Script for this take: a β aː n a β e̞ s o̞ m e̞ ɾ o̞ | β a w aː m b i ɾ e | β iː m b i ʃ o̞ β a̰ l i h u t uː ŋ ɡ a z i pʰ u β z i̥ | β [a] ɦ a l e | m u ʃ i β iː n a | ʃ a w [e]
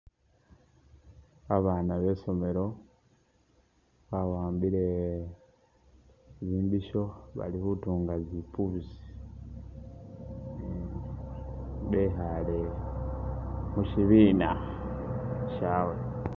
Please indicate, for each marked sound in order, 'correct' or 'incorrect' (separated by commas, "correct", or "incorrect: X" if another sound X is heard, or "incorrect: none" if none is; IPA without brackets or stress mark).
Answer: incorrect: e, correct